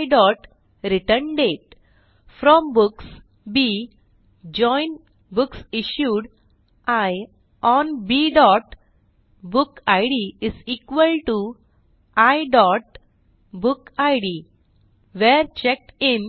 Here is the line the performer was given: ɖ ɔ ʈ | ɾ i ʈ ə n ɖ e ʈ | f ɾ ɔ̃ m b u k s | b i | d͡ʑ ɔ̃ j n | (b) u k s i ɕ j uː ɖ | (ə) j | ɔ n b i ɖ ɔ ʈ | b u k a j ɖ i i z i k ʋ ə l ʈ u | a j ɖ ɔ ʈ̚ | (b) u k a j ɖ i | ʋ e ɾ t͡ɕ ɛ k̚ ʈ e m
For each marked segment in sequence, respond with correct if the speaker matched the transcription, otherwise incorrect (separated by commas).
correct, incorrect, correct